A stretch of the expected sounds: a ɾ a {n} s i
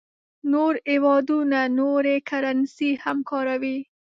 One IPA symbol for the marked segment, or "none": n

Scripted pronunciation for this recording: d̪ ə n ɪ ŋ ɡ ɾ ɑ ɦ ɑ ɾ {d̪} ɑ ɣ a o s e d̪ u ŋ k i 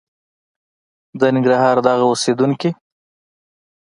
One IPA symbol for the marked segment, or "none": d̪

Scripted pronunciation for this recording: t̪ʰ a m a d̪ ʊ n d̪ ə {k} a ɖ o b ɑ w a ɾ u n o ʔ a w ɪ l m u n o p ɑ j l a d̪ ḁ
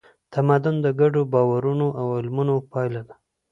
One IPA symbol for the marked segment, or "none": ɡ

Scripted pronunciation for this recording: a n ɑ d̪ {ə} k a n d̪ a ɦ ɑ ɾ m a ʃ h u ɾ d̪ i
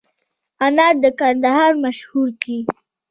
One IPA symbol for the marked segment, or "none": ə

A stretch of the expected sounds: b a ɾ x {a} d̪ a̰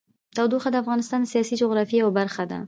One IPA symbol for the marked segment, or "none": a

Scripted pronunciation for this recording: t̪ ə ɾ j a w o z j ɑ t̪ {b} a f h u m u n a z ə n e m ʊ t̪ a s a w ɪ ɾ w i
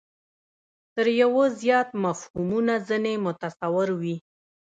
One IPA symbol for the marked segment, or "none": m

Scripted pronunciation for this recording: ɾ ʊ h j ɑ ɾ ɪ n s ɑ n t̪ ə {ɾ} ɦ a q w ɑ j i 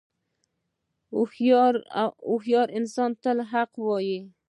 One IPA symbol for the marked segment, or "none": l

